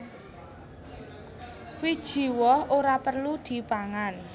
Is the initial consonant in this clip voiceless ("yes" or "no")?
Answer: no